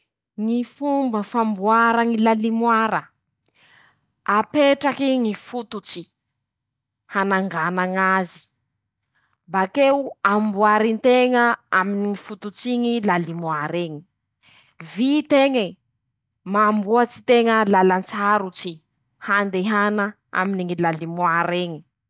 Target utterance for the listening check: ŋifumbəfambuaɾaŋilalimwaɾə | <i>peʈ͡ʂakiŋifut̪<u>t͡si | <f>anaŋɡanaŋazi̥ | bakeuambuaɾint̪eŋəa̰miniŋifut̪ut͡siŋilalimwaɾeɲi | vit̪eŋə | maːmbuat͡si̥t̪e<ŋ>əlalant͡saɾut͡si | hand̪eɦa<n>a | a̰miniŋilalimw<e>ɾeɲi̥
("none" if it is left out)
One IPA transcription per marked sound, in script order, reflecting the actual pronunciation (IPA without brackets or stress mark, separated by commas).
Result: a, u, h, ŋ, n, a